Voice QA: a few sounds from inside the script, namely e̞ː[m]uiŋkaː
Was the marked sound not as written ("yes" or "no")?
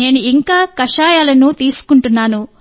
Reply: yes